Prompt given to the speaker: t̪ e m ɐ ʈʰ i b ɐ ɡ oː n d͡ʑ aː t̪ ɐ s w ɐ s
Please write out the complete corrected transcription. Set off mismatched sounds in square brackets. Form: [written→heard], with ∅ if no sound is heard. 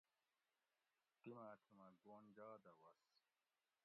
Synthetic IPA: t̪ [e→i] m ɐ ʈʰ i [b→m] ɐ ɡ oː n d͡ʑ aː [t̪→d̪] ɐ [s→∅] w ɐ s